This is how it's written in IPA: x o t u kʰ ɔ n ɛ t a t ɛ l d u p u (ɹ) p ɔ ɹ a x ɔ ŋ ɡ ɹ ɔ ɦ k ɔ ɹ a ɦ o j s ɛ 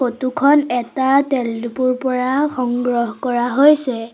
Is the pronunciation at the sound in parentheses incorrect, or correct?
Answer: correct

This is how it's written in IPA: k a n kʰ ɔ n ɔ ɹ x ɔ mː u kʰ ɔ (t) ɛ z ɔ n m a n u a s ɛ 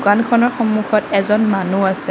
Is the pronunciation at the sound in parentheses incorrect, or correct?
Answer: correct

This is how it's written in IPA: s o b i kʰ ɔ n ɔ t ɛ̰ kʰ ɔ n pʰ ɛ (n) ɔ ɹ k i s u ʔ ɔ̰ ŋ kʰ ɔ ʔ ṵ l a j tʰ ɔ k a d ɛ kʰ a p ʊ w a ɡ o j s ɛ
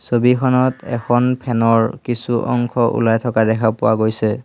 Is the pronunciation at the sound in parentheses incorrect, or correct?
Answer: correct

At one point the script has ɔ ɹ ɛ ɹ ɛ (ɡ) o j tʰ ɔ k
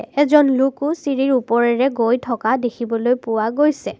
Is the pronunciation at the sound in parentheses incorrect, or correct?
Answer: correct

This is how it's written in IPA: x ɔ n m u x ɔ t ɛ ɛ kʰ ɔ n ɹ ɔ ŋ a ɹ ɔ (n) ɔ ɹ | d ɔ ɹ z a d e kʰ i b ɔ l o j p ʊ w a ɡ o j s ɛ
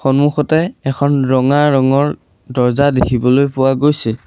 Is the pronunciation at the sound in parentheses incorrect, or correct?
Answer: incorrect: ŋ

